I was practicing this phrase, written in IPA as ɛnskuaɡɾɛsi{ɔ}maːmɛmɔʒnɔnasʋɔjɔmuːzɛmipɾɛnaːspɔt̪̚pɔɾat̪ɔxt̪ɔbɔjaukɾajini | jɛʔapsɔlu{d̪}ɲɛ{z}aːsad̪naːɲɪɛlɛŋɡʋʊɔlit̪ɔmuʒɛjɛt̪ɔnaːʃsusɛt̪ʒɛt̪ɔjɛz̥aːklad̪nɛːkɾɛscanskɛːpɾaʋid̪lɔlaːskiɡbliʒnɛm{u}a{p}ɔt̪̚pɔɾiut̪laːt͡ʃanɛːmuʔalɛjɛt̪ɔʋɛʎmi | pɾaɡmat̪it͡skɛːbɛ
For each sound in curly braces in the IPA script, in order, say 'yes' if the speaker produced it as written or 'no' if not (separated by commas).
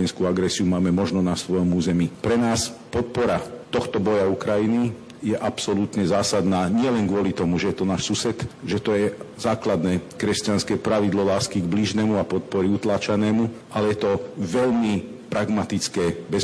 no, no, yes, yes, yes